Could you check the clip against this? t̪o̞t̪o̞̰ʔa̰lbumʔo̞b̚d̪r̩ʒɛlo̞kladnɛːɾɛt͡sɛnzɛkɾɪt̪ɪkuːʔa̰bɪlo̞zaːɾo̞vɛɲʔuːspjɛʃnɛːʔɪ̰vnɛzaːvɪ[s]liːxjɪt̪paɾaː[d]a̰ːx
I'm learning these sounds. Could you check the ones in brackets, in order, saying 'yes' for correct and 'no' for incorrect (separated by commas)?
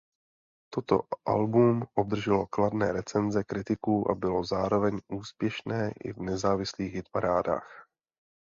yes, yes